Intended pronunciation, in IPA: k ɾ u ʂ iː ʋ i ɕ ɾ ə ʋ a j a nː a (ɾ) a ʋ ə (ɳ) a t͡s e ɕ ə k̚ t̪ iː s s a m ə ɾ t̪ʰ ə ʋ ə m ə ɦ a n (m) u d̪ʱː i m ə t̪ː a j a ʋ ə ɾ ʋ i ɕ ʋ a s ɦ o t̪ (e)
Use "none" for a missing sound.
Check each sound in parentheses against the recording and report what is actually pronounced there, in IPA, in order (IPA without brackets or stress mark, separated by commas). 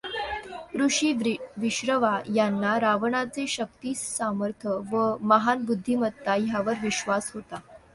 ɾ, ɳ, b, a